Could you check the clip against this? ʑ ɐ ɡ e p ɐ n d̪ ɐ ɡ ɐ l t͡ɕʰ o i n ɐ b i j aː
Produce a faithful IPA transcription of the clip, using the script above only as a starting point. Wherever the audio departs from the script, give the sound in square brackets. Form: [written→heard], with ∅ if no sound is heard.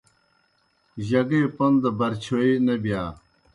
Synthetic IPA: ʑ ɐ ɡ e p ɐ n d̪ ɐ [ɡ→b] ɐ [l→ɾ] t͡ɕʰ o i n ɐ b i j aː